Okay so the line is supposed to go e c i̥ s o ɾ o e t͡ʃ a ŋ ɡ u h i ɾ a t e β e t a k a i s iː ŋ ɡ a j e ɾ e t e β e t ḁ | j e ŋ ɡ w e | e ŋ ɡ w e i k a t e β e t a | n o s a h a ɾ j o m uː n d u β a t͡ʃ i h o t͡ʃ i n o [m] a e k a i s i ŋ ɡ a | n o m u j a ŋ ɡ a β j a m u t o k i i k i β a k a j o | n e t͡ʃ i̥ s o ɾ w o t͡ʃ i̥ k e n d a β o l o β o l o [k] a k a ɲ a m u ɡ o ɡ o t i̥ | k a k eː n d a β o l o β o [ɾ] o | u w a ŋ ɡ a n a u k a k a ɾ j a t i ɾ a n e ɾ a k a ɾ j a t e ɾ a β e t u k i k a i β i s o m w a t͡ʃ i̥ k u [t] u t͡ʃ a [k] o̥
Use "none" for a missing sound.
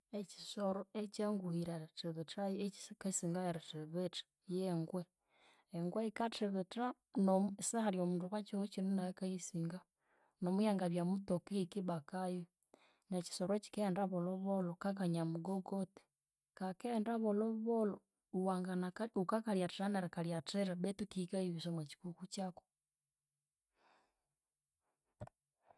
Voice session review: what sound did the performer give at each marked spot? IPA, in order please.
n, k, l, k, k

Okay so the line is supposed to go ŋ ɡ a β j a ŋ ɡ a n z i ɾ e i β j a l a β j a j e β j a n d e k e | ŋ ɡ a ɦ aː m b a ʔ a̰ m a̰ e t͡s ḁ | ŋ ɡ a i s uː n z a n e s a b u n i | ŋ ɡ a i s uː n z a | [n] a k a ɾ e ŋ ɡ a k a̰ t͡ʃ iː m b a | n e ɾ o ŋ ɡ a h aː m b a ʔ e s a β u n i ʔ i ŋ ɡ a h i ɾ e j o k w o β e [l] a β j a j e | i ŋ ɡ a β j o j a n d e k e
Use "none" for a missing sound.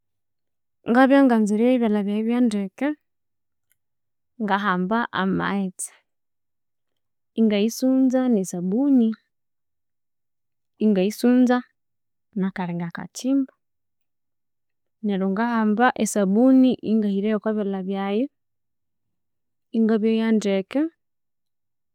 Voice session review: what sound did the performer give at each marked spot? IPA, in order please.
n, l

